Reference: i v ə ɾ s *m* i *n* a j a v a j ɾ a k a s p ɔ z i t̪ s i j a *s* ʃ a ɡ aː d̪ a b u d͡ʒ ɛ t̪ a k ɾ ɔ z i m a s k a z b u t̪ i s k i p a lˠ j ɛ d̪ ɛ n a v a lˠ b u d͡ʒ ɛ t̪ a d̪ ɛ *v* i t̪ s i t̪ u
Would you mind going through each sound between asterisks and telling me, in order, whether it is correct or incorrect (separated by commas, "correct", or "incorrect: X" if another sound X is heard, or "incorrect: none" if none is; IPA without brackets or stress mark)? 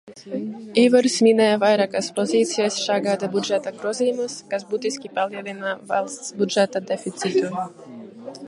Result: correct, correct, correct, incorrect: f